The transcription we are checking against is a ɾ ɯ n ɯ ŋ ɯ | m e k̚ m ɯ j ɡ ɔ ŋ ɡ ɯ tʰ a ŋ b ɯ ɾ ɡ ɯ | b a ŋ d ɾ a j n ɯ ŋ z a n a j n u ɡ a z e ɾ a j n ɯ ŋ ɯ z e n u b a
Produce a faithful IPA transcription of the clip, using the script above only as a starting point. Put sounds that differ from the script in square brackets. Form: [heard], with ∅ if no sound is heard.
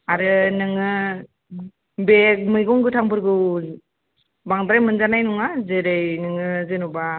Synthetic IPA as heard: a ɾ ɯ n ɯ ŋ ɯ | [b] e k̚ m ɯ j ɡ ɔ ŋ ɡ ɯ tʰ a ŋ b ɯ ɾ ɡ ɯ | b a ŋ d ɾ a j [m] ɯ [n] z a n a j n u [ŋ] a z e ɾ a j n ɯ ŋ ɯ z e n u b a

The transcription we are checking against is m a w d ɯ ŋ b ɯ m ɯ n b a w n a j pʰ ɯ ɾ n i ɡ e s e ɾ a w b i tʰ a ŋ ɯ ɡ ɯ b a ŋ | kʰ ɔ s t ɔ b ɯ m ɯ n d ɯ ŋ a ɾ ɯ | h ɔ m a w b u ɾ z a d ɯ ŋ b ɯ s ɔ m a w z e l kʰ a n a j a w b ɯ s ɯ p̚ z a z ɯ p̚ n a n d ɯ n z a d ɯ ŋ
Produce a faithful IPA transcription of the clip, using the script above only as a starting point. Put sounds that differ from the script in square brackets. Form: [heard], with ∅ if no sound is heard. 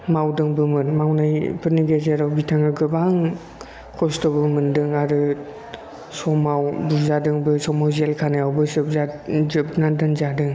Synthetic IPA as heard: m a w d ɯ ŋ b ɯ m ɯ n [m] a w n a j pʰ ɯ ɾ n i ɡ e [z] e ɾ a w b i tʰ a ŋ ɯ ɡ ɯ b a ŋ | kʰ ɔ s t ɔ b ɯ m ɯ n d ɯ ŋ a ɾ ɯ | [s] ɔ m a w b u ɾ z a d ɯ ŋ b ɯ s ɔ m a w z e l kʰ a n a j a w b ɯ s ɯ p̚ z a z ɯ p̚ n a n d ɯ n z a d ɯ ŋ

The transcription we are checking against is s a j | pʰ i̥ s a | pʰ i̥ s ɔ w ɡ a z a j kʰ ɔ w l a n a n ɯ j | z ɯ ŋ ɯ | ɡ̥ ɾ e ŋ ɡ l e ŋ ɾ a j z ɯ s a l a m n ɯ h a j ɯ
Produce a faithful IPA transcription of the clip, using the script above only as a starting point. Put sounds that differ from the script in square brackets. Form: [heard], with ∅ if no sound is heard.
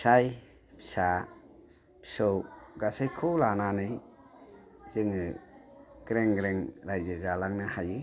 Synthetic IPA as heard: s a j | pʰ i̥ s a | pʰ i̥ s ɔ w ɡ a [s] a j kʰ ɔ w l a n a n ɯ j | z ɯ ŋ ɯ | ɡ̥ ɾ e ŋ ɡ [ɾ] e ŋ ɾ a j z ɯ [z] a l a [ŋ] n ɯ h a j ɯ

